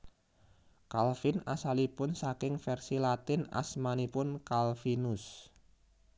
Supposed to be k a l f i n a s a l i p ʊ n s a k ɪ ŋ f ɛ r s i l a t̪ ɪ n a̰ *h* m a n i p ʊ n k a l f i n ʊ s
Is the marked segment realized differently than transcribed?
yes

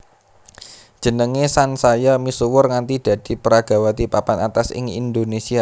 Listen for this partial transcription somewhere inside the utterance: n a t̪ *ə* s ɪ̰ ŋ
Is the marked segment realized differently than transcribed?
yes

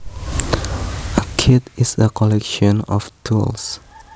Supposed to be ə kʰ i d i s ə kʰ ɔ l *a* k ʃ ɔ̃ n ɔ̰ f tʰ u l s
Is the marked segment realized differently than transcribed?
yes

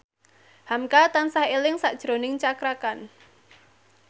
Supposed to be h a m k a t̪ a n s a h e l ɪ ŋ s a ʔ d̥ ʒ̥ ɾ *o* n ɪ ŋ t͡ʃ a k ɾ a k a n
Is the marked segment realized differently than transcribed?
no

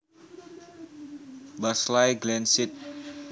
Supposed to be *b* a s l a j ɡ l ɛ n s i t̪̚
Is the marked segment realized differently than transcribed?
no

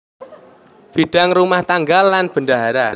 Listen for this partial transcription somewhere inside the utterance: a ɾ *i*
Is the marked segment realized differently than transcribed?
yes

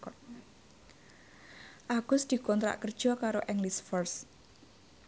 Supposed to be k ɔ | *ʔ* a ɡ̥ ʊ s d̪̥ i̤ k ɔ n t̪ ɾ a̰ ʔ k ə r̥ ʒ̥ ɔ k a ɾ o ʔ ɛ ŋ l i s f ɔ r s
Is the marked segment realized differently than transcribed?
no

